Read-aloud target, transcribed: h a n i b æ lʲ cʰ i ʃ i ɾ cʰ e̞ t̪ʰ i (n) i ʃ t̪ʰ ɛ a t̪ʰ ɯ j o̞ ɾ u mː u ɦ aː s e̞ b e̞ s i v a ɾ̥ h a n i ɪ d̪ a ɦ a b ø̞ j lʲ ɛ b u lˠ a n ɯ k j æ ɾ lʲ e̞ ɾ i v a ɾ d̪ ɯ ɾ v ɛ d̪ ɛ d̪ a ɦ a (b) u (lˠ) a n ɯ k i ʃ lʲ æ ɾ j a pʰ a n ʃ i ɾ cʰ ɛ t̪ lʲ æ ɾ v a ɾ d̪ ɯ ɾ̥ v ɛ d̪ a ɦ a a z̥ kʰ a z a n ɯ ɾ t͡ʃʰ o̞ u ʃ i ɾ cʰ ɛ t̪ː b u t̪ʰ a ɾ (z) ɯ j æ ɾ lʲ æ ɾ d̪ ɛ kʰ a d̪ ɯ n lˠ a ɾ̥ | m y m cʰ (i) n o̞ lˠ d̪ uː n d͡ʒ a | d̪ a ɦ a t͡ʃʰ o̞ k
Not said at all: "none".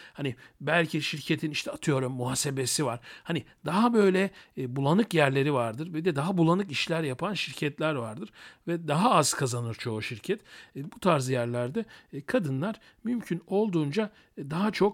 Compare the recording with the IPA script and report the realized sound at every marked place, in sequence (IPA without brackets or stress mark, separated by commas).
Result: n, b, lˠ, z, y